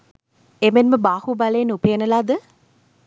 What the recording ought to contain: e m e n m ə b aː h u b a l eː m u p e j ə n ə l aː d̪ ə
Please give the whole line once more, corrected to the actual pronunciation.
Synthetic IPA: e m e n m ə b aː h u b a l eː n u p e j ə n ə l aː d̪ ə